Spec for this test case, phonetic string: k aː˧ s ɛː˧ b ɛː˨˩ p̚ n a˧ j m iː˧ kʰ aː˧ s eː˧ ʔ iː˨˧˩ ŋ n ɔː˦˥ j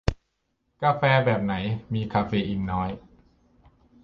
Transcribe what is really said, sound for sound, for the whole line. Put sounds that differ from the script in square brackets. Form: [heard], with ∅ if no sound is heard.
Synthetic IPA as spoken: k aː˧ [f] ɛː˧ b ɛː˨˩ p̚ n [a˩˦] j m iː˧ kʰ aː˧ [f] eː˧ ʔ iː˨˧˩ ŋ n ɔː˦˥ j